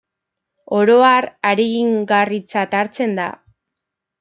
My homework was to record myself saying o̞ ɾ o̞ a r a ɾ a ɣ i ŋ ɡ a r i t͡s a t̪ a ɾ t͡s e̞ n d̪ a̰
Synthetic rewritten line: o̞ ɾ o̞ a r a ɾ e ɣ i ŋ ɡ a r i t͡s a t̪ a ɾ t͡s e̞ n d̪ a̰